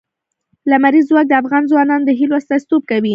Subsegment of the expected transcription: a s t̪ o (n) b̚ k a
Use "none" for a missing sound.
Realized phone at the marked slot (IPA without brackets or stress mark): none